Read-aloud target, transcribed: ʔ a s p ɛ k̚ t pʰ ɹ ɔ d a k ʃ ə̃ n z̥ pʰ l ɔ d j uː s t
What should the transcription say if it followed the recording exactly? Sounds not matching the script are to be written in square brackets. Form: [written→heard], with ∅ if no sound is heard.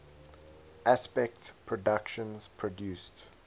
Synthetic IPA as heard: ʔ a s p ɛ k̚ t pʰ ɹ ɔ d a k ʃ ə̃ n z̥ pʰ [l→ɹ] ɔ d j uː s t